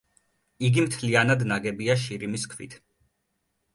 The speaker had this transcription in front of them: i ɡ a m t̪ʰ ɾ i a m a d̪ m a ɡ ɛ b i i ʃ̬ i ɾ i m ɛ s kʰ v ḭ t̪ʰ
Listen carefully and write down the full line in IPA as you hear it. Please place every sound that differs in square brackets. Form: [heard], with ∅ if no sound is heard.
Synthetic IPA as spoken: i ɡ [i] m t̪ʰ [l] i a [n] a d̪ [n] a ɡ ɛ b i [a] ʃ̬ i ɾ i m [i] s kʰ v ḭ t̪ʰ